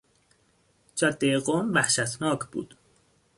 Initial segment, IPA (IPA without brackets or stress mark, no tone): d͡ʒ